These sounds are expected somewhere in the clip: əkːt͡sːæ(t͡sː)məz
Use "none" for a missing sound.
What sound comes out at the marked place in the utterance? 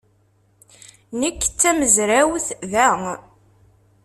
none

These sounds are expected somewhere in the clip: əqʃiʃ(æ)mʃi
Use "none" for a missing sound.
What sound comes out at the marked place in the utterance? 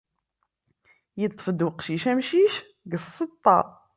æ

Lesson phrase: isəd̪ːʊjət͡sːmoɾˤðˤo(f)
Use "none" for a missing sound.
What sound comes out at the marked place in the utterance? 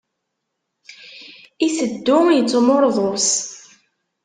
s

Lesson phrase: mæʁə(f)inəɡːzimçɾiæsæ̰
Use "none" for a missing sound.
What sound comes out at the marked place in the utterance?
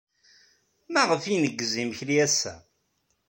f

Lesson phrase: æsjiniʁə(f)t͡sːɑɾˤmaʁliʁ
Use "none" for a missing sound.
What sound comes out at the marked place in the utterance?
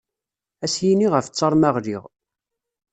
f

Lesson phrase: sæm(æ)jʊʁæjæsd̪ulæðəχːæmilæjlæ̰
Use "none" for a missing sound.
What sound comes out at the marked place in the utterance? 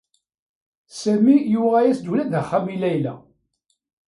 i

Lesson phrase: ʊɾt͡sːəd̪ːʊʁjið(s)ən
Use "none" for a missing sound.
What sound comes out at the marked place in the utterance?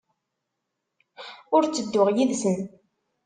s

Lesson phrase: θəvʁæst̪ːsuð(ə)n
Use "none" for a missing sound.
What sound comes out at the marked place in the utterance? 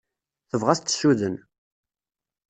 ə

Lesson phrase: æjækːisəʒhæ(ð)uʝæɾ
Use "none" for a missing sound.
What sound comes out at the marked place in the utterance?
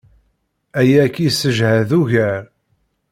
ð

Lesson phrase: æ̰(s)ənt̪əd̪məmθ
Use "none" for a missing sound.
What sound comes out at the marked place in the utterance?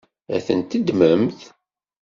θ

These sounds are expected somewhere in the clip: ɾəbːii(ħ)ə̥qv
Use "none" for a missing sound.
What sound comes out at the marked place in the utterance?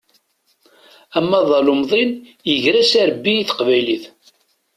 θ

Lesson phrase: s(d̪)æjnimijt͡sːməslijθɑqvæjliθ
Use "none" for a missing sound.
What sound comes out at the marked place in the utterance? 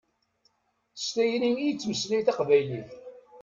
t̪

